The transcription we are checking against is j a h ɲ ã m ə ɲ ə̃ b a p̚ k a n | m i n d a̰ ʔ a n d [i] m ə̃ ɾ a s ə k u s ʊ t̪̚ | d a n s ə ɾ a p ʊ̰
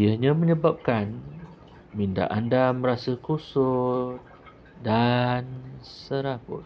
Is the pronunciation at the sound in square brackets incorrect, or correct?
incorrect